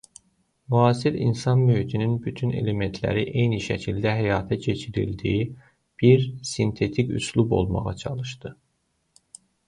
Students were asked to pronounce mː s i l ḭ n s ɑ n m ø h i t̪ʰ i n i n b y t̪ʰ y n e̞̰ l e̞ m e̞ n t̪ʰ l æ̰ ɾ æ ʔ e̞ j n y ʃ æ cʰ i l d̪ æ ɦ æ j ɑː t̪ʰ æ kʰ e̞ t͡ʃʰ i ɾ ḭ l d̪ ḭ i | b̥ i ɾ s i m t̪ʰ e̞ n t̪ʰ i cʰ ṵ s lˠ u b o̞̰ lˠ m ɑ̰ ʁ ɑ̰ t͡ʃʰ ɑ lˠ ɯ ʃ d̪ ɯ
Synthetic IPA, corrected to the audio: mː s i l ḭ n s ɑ n m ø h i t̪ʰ i n i n b y t̪ʰ y n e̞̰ l e̞ m e̞ n t̪ʰ l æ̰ ɾ i ʔ e̞ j n i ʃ æ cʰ i l d̪ æ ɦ æ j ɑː t̪ʰ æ cʰ e̞ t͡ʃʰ i ɾ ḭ l d̪ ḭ i | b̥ i ɾ s i n t̪ʰ e̞ t̪ʰ i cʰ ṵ s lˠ u b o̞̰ lˠ m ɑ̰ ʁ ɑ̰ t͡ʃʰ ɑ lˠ ɯ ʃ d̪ ɯ